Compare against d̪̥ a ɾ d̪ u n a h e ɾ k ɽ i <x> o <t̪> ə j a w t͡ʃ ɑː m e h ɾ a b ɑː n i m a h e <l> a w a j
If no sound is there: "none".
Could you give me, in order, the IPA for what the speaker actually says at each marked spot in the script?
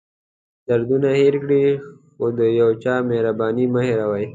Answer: x, d̪, ɾ

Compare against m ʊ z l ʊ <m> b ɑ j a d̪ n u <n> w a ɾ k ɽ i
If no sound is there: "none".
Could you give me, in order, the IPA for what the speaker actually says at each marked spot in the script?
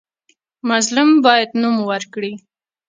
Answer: m, m

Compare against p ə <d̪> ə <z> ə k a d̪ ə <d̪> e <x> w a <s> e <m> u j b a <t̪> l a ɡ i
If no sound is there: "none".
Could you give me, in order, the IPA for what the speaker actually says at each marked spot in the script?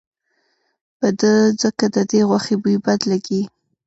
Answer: d̪, z, d̪, ɣ, x, b, d̪

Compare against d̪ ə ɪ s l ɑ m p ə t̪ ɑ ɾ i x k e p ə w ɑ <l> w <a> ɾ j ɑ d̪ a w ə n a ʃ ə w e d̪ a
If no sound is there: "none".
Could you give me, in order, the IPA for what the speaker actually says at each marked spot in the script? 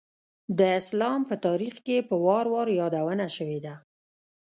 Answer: ɾ, ɑ

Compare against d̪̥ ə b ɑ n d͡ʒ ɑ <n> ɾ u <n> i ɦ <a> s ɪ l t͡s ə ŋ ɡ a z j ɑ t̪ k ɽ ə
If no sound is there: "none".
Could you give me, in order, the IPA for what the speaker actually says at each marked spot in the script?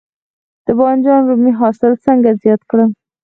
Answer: n, m, ɑ

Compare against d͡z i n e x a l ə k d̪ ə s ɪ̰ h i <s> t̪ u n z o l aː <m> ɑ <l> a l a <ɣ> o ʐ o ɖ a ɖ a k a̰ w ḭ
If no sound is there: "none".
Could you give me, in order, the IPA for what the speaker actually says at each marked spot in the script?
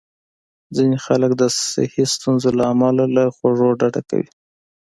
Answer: s, m, l, x

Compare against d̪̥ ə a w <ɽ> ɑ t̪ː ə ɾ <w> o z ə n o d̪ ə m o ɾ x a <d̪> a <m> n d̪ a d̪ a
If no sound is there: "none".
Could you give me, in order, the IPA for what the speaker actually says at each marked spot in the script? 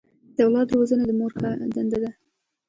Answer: l, w, d̪, none

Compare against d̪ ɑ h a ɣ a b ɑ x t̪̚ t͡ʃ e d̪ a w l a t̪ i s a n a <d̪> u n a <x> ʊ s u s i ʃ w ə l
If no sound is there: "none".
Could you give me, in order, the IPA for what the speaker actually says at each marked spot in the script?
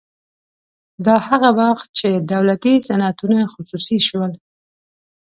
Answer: t̪, x

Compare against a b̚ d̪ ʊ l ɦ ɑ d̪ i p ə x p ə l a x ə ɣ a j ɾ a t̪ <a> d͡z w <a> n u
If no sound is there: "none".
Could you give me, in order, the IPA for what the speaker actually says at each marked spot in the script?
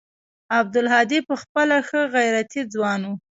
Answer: i, ɑ

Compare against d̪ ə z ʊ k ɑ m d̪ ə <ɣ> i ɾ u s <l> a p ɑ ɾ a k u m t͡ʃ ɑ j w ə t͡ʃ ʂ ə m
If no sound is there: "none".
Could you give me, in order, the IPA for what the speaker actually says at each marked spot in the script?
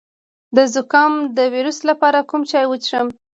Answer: w, l

